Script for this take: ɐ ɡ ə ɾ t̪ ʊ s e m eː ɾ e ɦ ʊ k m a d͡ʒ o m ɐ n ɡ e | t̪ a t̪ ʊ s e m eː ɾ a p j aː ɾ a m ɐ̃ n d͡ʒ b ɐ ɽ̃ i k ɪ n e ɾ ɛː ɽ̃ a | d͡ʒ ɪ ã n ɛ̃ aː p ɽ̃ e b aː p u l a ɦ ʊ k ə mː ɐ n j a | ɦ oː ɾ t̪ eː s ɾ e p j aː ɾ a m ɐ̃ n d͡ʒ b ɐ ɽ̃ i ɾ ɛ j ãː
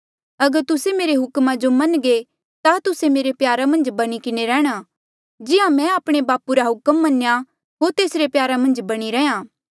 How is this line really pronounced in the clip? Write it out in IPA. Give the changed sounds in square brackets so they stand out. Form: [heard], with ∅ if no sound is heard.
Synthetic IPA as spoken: ɐ ɡ ə ɾ t̪ ʊ s e m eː ɾ e ɦ ʊ k m a d͡ʒ o m ɐ n ɡ e | t̪ a t̪ ʊ s e m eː ɾ [e] p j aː ɾ a m ɐ̃ n d͡ʒ b ɐ ɽ̃ i k ɪ n e ɾ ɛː ɽ̃ a | d͡ʒ ɪ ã [m] ɛ̃ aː p ɽ̃ e b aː p u [ɾ] a ɦ ʊ k ə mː ɐ n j a | ɦ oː ɾ t̪ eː s ɾ e p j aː ɾ a m ɐ̃ n d͡ʒ b ɐ ɽ̃ i ɾ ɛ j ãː